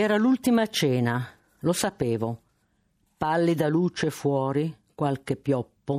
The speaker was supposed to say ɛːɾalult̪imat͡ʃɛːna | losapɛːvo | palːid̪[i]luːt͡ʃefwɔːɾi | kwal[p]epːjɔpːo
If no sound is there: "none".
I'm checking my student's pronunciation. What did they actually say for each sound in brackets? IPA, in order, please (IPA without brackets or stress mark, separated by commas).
a, k